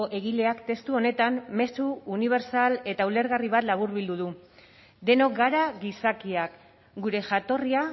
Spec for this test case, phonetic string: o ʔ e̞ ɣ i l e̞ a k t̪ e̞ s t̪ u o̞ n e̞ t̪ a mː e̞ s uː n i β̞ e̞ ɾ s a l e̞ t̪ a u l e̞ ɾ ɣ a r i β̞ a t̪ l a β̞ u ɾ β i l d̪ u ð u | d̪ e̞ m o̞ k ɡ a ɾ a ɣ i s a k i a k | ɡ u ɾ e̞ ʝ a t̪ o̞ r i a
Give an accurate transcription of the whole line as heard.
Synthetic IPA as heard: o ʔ e̞ ɣ i l e̞ a k t̪ e̞ s t̪ u o̞ n e̞ t̪ a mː e̞ s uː n i β̞ e̞ ɾ s a l e̞ t̪ a u l e̞ ɾ ɣ a r i β̞ a t̪ l a β̞ u ɾ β i l d̪ u ð u | d̪ e̞ n o̞ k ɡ a ɾ a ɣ i s a k i a k | ɡ u ɾ e̞ ʝ a t̪ o̞ r i a